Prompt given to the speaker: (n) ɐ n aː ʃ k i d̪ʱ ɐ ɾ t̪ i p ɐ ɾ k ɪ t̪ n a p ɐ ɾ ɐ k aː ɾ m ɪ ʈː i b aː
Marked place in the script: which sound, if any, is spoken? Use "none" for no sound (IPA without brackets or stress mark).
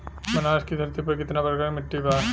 m